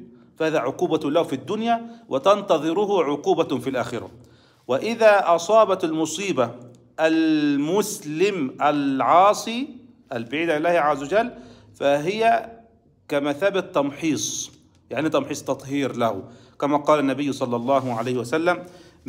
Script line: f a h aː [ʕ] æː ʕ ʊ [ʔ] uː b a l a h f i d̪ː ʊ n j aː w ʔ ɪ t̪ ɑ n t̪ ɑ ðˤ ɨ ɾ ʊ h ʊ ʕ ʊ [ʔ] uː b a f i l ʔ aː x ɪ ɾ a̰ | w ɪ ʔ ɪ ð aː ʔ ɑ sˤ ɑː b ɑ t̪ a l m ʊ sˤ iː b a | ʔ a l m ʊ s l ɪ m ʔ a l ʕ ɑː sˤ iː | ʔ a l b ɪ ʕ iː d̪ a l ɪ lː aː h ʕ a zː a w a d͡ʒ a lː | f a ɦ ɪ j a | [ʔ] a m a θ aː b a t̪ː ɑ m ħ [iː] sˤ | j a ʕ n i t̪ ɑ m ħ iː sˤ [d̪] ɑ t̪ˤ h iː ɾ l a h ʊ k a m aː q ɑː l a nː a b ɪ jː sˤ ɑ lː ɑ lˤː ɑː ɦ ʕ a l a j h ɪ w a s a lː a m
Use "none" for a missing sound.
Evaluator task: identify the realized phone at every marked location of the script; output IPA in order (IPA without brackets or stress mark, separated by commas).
ð, q, q, k, iː, t̪